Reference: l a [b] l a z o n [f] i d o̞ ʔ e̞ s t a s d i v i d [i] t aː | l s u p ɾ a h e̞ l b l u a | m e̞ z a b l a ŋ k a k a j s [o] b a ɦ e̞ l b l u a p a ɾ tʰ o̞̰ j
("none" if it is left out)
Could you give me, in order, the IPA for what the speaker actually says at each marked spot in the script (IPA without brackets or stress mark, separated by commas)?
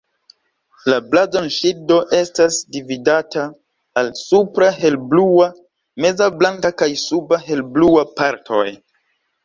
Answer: b, ʃ, a, u